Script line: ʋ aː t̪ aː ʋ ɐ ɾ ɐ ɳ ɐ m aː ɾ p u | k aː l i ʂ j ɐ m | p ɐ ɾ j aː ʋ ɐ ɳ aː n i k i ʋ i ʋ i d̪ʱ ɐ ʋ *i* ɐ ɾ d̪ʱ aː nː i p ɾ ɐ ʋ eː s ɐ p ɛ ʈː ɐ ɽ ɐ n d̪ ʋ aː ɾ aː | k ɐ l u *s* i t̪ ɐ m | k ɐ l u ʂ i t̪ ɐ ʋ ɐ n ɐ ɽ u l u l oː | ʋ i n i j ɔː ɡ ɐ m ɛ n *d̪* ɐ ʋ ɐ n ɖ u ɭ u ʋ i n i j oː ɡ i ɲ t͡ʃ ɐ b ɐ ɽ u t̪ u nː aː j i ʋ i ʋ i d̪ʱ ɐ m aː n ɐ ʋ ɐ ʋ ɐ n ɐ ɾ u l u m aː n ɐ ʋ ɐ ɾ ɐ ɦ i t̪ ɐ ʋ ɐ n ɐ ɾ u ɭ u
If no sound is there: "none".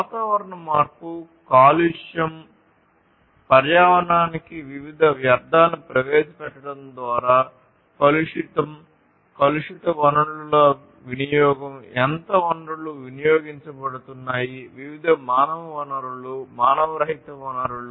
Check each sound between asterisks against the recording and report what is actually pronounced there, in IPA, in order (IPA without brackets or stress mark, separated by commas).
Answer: j, ʂ, t̪